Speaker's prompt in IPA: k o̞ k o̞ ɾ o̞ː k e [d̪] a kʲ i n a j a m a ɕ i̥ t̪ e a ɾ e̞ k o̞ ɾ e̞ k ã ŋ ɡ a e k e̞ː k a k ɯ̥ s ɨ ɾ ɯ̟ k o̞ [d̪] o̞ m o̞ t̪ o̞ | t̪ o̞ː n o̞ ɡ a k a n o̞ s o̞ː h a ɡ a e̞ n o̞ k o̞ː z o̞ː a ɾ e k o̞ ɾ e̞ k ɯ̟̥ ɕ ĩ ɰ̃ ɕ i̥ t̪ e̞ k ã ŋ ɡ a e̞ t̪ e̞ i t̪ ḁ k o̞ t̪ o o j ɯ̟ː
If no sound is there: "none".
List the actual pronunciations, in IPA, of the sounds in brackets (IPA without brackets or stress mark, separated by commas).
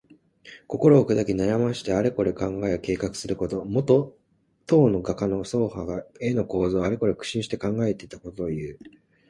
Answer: d̪, t̪